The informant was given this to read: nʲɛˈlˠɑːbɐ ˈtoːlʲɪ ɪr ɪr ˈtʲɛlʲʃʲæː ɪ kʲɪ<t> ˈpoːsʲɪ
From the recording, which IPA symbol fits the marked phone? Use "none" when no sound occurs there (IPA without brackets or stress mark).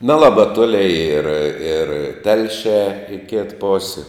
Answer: t